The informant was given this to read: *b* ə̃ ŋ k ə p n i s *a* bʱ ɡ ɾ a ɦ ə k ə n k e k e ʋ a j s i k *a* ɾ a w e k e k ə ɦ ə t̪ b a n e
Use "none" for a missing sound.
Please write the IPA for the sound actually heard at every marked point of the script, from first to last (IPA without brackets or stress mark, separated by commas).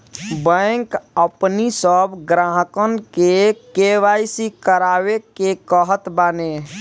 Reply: b, ə, ə